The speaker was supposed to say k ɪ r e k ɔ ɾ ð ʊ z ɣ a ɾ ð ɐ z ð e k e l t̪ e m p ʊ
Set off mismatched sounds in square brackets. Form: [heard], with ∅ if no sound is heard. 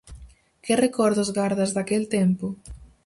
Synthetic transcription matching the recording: k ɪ r e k ɔ ɾ ð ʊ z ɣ a ɾ ð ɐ z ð [a] k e l t̪ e m p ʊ

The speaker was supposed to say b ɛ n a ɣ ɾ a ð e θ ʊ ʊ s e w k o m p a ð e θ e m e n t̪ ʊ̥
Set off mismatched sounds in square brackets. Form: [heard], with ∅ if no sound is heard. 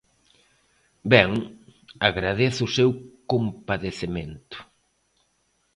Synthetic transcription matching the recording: b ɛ [ŋ] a ɣ ɾ a ð e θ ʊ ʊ s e w k o m p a ð e θ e m e n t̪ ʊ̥

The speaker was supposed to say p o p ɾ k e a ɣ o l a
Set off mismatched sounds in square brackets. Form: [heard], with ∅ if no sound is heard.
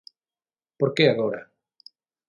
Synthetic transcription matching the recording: p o [∅] ɾ k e a ɣ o [ɾ] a

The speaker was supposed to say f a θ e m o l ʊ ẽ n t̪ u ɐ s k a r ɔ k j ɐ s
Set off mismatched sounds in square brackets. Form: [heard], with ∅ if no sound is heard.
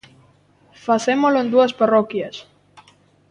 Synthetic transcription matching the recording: f a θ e m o l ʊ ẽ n [d̪] u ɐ s [p] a r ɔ k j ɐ s

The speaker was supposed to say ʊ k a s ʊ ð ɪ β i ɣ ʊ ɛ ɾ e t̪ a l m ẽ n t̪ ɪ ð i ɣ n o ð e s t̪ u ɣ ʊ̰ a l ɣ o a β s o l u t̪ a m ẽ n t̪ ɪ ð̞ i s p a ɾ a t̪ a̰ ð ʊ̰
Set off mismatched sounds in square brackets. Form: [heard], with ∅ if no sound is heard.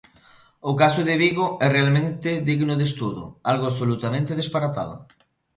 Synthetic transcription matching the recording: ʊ k a s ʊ ð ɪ β i ɣ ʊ ɛ [r] e [∅] a l m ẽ n t̪ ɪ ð i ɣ n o ð e s t̪ u [ð] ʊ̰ a l ɣ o a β s o l u t̪ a m ẽ n t̪ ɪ ð̞ [e] s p a ɾ a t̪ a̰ ð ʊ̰

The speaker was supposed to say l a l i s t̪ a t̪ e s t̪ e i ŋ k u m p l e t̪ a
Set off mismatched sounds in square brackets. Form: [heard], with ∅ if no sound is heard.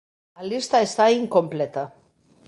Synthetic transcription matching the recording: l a l i s t̪ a [∅] e s t̪ [a] i ŋ k [o] m p l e t̪ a

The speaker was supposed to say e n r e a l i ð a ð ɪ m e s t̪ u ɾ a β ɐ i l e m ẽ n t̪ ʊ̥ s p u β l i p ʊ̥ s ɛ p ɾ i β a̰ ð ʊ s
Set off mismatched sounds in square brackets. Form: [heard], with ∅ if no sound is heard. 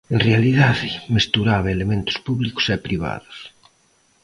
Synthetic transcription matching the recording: e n r e a l i ð a ð ɪ m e s t̪ u ɾ a β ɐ [e] l e m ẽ n t̪ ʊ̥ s p u β l i [k] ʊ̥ s ɛ p ɾ i β a̰ ð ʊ s

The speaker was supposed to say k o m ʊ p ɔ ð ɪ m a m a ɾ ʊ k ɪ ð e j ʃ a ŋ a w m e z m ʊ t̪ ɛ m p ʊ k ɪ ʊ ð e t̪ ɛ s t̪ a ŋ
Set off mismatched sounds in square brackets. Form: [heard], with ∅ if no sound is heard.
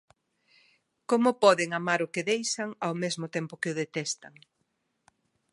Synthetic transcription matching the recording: k o m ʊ p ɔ ð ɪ [ŋ] a m a ɾ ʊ k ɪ ð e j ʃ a ŋ a w m e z m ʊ t̪ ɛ m p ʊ k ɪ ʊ ð e t̪ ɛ s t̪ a ŋ

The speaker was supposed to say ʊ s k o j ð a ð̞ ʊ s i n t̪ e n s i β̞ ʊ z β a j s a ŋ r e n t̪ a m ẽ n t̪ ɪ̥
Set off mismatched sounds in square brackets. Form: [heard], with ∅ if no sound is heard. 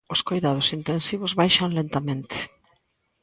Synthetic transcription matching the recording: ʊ s k o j ð a ð̞ ʊ s i n t̪ e n s i β̞ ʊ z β a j [ʃ] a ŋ [l] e n t̪ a m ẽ n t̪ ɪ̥

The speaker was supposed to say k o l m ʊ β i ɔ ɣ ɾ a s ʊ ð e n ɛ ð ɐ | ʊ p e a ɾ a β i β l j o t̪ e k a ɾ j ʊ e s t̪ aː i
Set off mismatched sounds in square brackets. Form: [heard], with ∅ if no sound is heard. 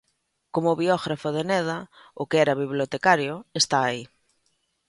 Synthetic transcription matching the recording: k o [∅] m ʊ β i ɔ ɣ ɾ a [f] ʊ ð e n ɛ ð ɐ | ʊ [k] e [ɛ] ɾ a β i β l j o t̪ e k a ɾ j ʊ e s t̪ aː i

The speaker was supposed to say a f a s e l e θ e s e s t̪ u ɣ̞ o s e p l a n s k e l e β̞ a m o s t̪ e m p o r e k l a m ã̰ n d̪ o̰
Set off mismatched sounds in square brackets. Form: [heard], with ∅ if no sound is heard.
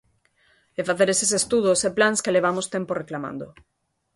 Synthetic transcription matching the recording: [e] f a [θ] e [ɾ] e [s] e s e s t̪ u [ð̞] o s e p l a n s k e l e β̞ a m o s t̪ e m p o r e k l a m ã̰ n d̪ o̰

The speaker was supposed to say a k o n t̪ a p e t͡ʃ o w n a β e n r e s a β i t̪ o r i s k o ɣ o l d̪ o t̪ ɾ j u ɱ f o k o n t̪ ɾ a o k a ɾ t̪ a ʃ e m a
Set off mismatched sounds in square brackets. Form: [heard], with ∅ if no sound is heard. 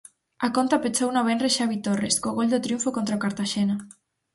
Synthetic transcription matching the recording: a k o n t̪ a p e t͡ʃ o w n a β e n r e [ʃ] a β i t̪ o r [e] s k o ɣ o l d̪ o t̪ ɾ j u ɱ f o k o n t̪ ɾ a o k a ɾ t̪ a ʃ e [n] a

